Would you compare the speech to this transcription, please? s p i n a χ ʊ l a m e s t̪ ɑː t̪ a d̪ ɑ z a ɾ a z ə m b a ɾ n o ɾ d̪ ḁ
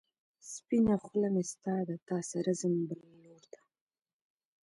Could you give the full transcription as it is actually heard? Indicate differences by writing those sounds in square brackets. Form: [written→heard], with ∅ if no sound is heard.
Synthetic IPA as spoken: s p i n a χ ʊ l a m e s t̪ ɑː [t̪→d̪] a [d̪→t̪] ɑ [z→s] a ɾ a z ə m b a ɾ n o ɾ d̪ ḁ